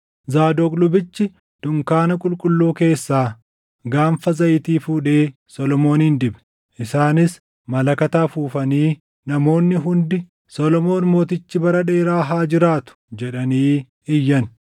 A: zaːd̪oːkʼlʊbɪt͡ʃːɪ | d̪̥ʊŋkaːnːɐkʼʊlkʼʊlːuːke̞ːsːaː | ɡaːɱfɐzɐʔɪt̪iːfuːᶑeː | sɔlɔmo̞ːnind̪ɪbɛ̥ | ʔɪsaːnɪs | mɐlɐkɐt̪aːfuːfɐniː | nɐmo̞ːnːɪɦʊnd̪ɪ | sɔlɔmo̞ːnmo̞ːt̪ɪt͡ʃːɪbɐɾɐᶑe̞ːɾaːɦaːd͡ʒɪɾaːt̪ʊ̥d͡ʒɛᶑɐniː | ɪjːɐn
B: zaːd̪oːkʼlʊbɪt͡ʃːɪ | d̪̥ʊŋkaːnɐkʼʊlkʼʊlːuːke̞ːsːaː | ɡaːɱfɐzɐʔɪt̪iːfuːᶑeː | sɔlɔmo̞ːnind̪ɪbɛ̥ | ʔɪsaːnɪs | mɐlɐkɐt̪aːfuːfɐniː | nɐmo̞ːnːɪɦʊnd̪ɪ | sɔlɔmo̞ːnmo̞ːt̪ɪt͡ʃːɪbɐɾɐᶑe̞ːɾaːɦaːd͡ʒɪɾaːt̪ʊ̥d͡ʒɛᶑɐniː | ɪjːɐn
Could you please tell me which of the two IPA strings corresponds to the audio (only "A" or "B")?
B